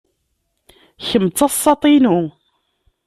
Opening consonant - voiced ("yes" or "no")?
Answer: no